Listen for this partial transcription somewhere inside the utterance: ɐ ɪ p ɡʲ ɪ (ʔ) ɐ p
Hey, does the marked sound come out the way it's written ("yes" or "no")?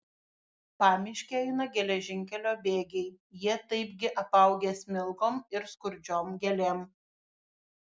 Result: yes